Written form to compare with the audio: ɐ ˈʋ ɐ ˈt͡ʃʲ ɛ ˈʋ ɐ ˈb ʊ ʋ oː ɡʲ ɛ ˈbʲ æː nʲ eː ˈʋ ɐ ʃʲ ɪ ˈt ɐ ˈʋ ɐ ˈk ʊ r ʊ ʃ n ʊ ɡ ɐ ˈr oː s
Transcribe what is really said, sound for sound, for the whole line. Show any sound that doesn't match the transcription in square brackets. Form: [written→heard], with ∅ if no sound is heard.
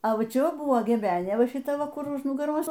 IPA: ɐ ˈʋ ɐ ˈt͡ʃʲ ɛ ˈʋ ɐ ˈb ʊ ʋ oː ɡʲ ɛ ˈbʲ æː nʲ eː ˈʋ ɐ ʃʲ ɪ ˈt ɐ ˈʋ ɐ ˈk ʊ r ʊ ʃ n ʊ ɡ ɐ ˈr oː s